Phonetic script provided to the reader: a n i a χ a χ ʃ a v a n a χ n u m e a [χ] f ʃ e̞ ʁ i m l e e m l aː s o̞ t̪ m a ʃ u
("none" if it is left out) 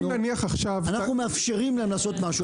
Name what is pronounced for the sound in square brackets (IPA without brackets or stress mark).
none